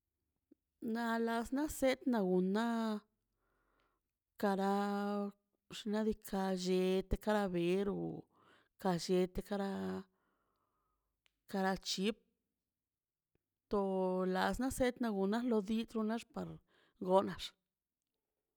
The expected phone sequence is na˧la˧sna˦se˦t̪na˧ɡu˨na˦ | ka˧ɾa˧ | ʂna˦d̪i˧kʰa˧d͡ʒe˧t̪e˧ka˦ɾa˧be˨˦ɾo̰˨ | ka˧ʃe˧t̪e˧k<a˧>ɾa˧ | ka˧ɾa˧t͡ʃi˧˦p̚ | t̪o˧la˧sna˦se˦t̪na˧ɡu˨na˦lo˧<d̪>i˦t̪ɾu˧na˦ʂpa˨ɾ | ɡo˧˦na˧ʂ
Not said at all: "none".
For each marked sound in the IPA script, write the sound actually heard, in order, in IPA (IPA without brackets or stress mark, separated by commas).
a˧, d̪